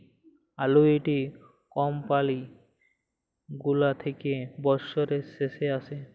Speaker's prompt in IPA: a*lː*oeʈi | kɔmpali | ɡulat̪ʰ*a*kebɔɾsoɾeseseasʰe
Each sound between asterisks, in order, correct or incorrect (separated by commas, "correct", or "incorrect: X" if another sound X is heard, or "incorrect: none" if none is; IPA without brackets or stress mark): incorrect: l, incorrect: e